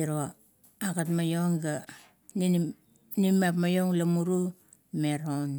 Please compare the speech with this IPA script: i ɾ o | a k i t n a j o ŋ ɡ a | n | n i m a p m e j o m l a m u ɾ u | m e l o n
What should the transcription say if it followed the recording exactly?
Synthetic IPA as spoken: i ɾ o | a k a t m a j o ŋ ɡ a | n | n i m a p m a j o ŋ l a m u ɾ u | m e ɾ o n